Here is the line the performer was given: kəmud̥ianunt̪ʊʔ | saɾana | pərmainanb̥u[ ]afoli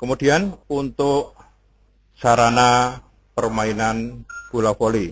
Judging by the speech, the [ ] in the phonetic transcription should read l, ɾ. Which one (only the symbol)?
l